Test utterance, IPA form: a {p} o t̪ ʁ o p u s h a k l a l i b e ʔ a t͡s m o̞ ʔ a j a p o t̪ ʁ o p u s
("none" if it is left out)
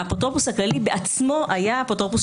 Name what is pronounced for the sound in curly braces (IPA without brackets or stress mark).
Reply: p